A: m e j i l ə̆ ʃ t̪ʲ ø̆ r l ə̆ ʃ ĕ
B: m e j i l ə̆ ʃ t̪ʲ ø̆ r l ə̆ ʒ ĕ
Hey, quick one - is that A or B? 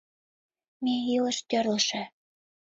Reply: A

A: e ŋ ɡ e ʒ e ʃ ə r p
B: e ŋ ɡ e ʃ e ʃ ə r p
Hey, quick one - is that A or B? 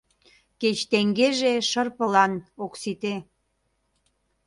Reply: A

